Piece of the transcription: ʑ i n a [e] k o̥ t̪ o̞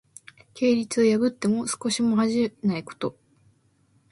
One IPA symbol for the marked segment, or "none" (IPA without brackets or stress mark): i